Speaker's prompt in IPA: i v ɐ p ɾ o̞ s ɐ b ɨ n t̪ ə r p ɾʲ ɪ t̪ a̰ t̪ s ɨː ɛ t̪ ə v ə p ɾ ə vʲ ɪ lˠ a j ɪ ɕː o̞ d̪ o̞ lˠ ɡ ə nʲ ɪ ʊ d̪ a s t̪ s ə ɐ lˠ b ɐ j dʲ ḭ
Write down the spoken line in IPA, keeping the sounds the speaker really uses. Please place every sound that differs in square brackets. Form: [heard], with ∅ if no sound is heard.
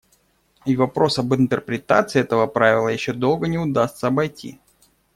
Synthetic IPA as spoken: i v ɐ p ɾ o̞ s ɐ b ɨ n t̪ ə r p ɾʲ ɪ t̪ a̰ t̪ s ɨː ɛ t̪ ə v ə p ɾ [a] vʲ ɪ lˠ [ə] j ɪ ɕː o̞ d̪ o̞ lˠ ɡ ə nʲ ɪ ʊ d̪ a s t̪ s ə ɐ [∅] b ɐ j [tʲ] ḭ